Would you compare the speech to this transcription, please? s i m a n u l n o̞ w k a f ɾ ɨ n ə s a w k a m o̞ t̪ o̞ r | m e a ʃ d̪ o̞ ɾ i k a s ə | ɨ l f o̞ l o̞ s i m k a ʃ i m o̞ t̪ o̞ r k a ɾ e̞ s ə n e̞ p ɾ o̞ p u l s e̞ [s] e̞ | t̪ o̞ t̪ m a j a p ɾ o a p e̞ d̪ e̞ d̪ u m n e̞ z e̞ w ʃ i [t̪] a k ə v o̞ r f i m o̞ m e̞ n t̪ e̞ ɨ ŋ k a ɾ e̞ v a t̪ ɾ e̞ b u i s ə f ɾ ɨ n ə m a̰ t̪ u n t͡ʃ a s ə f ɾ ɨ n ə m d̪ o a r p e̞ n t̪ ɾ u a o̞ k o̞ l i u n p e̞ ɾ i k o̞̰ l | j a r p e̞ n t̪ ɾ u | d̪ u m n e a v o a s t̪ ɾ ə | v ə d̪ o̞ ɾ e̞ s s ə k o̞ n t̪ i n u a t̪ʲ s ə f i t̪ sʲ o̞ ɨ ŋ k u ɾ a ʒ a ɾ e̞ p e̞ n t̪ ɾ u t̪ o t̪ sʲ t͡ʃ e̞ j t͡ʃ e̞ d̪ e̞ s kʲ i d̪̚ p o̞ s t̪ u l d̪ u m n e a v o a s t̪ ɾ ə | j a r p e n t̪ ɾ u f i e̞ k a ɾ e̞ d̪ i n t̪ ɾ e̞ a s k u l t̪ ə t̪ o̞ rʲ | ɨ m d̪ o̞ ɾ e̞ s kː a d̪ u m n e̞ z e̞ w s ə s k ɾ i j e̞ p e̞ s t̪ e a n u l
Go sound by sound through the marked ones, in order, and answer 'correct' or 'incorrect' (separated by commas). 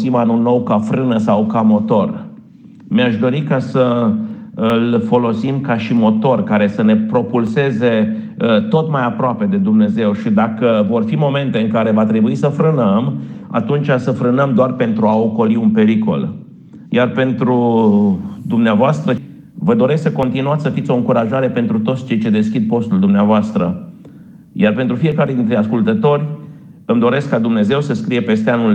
incorrect, incorrect